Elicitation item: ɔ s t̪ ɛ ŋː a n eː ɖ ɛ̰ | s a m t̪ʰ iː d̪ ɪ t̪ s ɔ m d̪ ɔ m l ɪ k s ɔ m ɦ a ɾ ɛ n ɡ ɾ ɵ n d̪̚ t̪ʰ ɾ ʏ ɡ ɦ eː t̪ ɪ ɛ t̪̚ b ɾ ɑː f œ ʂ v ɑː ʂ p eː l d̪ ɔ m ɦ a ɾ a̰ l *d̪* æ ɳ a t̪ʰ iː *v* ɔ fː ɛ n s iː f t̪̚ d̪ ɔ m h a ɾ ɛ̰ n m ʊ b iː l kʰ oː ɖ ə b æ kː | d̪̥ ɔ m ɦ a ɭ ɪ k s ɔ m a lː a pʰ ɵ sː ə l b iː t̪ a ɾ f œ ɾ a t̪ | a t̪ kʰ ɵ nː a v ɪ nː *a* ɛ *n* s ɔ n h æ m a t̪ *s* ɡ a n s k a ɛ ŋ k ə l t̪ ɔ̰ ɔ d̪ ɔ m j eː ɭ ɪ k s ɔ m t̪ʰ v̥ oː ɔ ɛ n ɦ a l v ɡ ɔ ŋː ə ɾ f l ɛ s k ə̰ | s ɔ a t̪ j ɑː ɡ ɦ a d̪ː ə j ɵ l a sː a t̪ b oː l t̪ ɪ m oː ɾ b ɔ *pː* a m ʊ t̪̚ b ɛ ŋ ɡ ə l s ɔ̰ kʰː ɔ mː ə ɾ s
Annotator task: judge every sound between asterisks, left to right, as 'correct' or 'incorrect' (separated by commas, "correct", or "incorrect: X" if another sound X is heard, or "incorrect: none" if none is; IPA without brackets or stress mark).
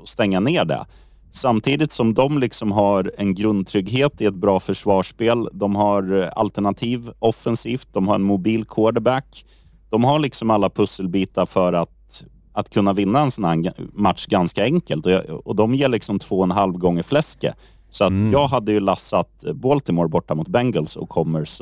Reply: incorrect: t̪, correct, correct, correct, incorrect: ʂ, incorrect: ʈː